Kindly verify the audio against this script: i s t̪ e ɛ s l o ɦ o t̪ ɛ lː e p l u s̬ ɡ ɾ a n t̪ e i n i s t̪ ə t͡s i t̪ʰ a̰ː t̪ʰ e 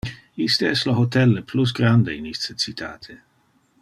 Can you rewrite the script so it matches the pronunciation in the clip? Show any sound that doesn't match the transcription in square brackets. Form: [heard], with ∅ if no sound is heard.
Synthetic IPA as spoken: i s t̪ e ɛ s l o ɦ o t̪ ɛ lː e p l u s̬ ɡ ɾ a n [d̪] e i n i s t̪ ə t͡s i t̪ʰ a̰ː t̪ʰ e